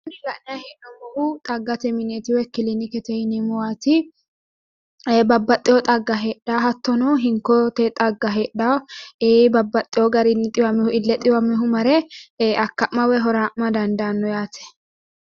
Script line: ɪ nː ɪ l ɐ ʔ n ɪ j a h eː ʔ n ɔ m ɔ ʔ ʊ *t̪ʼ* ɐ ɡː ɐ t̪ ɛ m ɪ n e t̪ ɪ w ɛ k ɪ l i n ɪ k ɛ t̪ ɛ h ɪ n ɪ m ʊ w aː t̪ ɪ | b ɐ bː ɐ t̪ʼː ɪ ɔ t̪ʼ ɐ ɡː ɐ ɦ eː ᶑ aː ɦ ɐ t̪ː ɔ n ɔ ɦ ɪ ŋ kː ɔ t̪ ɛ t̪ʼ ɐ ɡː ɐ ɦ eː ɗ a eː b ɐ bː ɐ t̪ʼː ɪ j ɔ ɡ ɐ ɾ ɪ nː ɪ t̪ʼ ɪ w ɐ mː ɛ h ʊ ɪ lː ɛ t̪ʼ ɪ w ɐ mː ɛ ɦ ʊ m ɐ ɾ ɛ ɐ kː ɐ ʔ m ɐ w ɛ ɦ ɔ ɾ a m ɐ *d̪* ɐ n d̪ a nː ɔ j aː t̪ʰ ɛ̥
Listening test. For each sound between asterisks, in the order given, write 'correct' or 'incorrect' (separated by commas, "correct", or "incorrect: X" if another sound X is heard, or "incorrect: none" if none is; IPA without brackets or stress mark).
correct, correct